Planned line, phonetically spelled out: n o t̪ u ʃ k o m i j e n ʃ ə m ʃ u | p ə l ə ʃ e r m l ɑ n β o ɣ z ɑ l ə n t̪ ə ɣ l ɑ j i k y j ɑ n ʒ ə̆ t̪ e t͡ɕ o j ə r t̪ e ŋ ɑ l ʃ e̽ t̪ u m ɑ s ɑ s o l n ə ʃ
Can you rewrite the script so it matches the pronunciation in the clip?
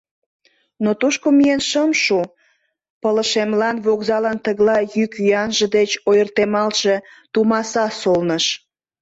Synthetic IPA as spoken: n o t̪ u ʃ k o m i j e n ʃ ə m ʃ u | p ə l ə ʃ e m l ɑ n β o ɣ z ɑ l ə n t̪ ə ɣ l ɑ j y k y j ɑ n ʒ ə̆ d̪ e t͡ɕ o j ə r t̪ e m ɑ l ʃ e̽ t̪ u m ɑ s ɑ s o l n ə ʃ